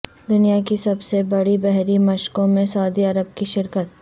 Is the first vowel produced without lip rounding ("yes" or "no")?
no